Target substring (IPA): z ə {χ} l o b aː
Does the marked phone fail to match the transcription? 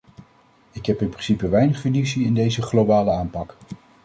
no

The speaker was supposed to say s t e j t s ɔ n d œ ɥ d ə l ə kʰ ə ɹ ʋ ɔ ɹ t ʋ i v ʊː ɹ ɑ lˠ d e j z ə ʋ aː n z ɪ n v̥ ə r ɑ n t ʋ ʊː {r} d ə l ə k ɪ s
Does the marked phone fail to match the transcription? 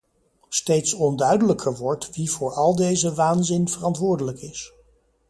yes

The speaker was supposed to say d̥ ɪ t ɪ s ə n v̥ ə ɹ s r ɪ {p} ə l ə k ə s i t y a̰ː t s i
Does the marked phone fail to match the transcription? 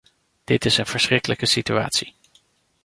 yes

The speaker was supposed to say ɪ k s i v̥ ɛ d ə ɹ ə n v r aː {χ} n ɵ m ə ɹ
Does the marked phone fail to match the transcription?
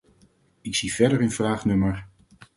no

